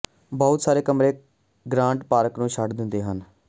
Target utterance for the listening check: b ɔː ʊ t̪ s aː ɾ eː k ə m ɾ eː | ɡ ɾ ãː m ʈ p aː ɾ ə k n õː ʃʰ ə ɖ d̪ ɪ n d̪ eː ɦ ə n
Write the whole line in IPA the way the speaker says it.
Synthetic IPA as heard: b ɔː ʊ t̪ s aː ɾ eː k ə m ɾ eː | ɡ ɾ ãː ɳ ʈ p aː ɾ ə k n ũː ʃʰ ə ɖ d̪ ɪ n d̪ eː ɦ ə n